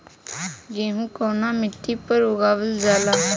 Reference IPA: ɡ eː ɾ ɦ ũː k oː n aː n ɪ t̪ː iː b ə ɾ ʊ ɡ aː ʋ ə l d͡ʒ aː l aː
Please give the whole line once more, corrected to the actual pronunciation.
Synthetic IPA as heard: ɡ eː ɦ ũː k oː n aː m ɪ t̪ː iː p ə ɾ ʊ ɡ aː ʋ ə l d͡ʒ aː l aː